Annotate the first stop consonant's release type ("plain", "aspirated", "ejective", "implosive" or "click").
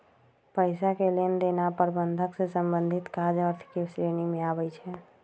plain